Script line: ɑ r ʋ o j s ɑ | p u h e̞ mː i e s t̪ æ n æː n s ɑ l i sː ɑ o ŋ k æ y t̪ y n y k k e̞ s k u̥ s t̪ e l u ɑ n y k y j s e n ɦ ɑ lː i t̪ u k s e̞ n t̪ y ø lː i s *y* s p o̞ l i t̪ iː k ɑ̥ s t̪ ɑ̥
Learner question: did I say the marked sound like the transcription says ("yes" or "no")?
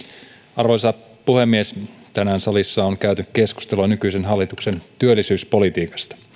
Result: no